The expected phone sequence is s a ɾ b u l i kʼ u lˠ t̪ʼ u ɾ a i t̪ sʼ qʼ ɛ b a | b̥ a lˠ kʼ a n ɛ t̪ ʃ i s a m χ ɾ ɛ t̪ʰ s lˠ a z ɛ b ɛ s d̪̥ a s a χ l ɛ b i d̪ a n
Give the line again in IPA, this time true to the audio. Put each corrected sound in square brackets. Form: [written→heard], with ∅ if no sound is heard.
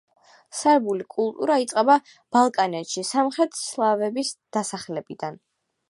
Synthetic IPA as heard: s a ɾ b u l i kʼ u lˠ t̪ʼ u ɾ a i t̪ sʼ qʼ ɛ b a | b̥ a lˠ kʼ a n ɛ t̪ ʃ i s a m χ ɾ ɛ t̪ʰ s lˠ a [z→v] ɛ b [ɛ→i] s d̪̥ a s a χ l ɛ b i d̪ a n

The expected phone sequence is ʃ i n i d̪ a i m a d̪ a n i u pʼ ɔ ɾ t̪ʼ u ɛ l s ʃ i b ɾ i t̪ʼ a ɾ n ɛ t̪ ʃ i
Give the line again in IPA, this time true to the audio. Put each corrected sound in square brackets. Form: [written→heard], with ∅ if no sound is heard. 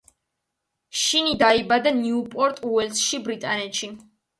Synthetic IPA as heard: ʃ i n i d̪ a i [m→b] a d̪ a n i u pʼ ɔ ɾ t̪ʼ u ɛ l s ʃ i b ɾ i t̪ʼ a [ɾ→∅] n ɛ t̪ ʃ i

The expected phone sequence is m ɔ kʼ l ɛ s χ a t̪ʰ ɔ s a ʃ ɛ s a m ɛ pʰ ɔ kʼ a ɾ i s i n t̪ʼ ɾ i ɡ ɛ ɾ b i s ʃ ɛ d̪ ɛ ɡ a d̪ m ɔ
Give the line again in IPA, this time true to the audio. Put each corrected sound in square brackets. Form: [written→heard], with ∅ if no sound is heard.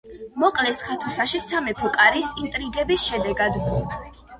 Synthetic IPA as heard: m ɔ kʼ l ɛ s χ a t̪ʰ [ɔ→u] s a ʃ [ɛ→i] s a m ɛ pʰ ɔ kʼ a ɾ i s i n t̪ʼ ɾ i ɡ ɛ [ɾ→∅] b i s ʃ ɛ d̪ ɛ ɡ a d̪ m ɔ

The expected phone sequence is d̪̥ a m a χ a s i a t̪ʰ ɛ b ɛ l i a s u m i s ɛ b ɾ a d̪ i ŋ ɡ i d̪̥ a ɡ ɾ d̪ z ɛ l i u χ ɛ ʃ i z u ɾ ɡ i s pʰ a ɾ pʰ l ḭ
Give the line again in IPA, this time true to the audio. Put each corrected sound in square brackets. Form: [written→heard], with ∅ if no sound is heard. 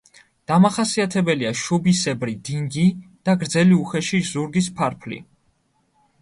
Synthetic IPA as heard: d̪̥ a m a χ a s i a t̪ʰ ɛ b ɛ l i a [s→ʃ] u [m→b] i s ɛ b ɾ [a→i] d̪ i ŋ ɡ i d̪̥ a ɡ ɾ d̪ z ɛ l i u χ ɛ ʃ i z u ɾ ɡ i s pʰ a ɾ pʰ l ḭ

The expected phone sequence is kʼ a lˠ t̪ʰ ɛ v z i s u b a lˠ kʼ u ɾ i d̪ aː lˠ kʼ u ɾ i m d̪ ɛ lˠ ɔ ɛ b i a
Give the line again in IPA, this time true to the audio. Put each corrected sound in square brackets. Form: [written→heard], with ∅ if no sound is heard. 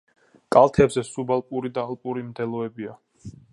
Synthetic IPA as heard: kʼ a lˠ t̪ʰ ɛ [v→b] z [i→ɛ] s u b a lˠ [kʼ→pʼ] u ɾ i d̪ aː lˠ [kʼ→pʼ] u ɾ i m d̪ ɛ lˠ ɔ ɛ b i a

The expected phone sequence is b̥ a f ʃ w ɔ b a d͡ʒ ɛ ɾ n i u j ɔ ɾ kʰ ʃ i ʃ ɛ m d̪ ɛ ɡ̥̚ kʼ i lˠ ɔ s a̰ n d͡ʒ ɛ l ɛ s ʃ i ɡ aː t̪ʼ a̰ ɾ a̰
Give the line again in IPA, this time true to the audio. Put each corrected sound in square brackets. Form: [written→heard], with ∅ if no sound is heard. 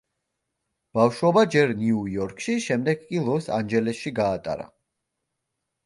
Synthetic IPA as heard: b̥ a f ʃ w ɔ b a d͡ʒ ɛ ɾ n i u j ɔ ɾ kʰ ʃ i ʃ ɛ m d̪ ɛ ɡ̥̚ kʼ i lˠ ɔ s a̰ n d͡ʒ ɛ l ɛ s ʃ i ɡ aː t̪ʼ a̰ ɾ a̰

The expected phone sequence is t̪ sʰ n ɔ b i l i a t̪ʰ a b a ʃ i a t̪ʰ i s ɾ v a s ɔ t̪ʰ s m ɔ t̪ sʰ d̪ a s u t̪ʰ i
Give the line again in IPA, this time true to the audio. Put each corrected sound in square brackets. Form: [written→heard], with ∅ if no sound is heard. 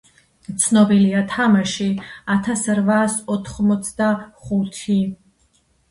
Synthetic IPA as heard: t̪ sʰ n ɔ b i l i a t̪ʰ a [b→m] a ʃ i a t̪ʰ [i→a] s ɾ v a s ɔ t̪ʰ [s→χ] m ɔ t̪ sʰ d̪ a [s→χ] u t̪ʰ i

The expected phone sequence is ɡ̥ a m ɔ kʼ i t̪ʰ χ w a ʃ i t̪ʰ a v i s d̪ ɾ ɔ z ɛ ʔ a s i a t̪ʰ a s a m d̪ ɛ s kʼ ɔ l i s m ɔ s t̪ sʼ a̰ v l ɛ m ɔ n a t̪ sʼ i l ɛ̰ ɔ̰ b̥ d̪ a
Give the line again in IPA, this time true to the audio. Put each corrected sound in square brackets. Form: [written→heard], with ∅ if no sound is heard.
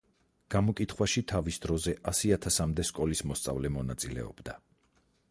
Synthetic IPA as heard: ɡ̥ a m ɔ kʼ i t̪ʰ χ w a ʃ i t̪ʰ a v i s d̪ ɾ ɔ z ɛ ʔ a s i a t̪ʰ a s a m d̪ ɛ s kʼ ɔ l i s m ɔ s t̪ sʼ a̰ v l ɛ m ɔ n a t̪ sʼ i l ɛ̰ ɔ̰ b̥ d̪ a

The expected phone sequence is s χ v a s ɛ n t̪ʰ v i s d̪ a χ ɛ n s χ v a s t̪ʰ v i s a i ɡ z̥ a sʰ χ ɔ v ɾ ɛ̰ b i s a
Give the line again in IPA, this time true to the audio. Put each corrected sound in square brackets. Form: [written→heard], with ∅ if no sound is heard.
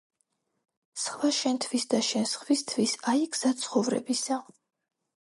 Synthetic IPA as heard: s χ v a [s→ʃ] ɛ n t̪ʰ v i s d̪ a [χ→ʃ] ɛ n s χ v [a→i] s t̪ʰ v i s a i ɡ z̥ a sʰ χ ɔ v ɾ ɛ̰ b i s a

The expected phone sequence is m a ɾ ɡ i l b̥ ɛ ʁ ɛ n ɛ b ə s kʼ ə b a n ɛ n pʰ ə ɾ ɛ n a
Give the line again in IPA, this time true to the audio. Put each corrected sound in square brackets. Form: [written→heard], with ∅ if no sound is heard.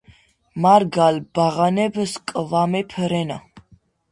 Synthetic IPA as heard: m a ɾ ɡ [i→a] l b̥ [ɛ→a] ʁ [ɛ→a] n ɛ b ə s kʼ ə [b→v] a [n→m] ɛ [n→∅] pʰ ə ɾ ɛ n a

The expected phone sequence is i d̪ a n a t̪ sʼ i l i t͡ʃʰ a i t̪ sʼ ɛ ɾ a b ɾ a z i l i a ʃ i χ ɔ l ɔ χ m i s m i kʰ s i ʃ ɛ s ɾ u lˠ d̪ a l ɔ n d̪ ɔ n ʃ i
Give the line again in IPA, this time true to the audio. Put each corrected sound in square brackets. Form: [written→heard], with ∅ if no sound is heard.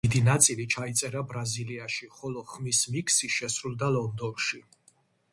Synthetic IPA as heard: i d̪ [a→i] n a t̪ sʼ i l i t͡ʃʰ a i t̪ sʼ ɛ ɾ a b ɾ a z i l i a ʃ i χ ɔ l ɔ χ m i s m i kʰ s i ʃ ɛ s ɾ u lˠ d̪ a l ɔ n d̪ ɔ n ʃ i

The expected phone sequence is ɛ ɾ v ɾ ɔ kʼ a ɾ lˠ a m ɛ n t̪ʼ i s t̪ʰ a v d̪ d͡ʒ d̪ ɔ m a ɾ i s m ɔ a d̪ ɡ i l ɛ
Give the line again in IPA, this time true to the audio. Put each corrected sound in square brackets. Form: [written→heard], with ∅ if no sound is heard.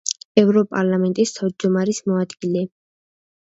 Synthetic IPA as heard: ɛ [ɾ→∅] v ɾ ɔ [kʼ→pʼ] a ɾ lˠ a m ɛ n t̪ʼ i s t̪ʰ a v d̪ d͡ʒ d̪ ɔ m a ɾ i s m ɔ a d̪ ɡ i l ɛ

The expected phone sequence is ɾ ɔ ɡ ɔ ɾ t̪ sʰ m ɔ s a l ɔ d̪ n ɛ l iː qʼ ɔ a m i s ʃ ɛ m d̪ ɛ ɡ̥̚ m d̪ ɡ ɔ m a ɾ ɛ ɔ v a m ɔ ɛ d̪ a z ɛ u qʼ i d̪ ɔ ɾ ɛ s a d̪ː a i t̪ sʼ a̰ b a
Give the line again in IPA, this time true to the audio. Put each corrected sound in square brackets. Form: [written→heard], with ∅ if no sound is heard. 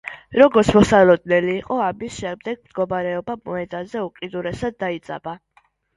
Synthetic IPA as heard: ɾ ɔ ɡ ɔ ɾ t̪ sʰ m ɔ s a l ɔ d̪ n ɛ l iː qʼ ɔ a m i s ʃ ɛ m d̪ ɛ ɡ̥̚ m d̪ ɡ ɔ m a ɾ ɛ ɔ [v→b] a m ɔ ɛ d̪ a z ɛ u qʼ i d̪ [ɔ→u] ɾ ɛ s a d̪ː a i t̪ sʼ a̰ b a

